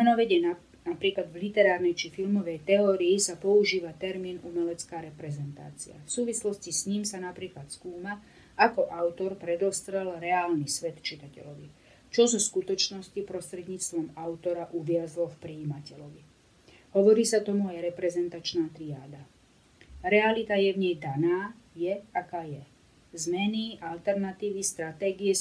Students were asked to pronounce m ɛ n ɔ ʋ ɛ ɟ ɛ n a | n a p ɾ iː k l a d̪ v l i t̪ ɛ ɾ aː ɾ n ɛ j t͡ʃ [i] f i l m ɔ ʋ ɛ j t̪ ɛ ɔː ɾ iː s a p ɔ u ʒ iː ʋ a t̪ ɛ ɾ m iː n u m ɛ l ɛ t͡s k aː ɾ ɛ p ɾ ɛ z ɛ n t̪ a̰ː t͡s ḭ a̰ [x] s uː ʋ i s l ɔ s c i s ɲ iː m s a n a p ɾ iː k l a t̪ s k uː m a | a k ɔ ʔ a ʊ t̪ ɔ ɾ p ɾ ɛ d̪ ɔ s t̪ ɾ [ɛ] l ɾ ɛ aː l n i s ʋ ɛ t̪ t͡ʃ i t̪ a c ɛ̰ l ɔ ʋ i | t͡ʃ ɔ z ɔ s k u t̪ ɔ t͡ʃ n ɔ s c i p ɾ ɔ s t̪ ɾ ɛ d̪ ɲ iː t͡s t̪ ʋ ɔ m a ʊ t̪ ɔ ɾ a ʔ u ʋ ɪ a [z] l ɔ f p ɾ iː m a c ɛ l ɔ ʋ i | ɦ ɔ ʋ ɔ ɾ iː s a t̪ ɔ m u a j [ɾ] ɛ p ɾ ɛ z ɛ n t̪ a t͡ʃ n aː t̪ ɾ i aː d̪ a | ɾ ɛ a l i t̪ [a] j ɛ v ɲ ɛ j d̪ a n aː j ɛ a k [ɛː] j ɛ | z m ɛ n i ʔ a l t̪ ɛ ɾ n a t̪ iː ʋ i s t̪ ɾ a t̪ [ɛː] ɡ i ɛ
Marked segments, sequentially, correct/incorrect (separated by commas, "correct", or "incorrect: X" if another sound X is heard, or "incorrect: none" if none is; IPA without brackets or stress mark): correct, incorrect: f, correct, correct, correct, correct, incorrect: aː, correct